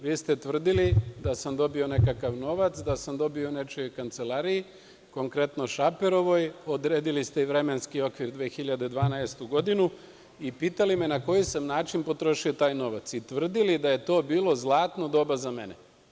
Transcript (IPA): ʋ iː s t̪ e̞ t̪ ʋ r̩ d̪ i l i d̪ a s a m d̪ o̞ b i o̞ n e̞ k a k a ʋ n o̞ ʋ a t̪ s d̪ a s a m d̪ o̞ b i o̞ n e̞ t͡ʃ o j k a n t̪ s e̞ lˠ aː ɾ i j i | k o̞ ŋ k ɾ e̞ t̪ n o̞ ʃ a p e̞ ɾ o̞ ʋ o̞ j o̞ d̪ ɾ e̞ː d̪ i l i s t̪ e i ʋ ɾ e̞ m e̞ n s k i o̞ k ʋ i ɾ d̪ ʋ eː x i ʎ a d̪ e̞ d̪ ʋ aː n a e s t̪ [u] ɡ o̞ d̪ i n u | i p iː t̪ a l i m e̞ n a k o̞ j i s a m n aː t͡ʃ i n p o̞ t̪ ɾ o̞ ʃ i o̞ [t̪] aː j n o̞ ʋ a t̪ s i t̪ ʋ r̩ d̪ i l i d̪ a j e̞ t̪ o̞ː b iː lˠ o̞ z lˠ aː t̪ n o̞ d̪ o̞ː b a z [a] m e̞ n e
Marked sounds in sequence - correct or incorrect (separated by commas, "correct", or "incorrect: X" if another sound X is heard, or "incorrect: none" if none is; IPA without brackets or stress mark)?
correct, correct, correct